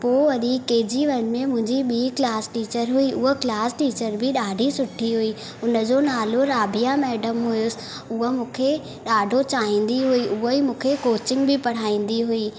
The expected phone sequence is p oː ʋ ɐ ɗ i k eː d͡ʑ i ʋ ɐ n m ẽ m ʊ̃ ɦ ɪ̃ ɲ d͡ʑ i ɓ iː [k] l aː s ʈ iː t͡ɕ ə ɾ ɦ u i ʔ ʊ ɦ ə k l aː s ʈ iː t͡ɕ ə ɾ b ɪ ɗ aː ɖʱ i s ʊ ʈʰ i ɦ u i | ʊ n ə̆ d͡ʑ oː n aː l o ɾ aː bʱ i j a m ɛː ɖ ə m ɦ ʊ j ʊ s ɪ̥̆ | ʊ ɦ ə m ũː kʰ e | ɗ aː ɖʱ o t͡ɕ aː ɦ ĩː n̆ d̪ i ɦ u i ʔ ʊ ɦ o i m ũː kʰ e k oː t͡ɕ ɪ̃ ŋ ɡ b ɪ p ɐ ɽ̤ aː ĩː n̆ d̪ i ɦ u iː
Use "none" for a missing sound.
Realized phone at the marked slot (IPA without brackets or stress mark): k